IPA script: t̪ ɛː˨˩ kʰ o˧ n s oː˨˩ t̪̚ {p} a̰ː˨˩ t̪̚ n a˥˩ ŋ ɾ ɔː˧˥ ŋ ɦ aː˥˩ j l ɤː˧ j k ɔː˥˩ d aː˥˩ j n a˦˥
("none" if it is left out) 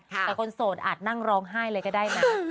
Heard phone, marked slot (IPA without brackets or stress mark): ʔ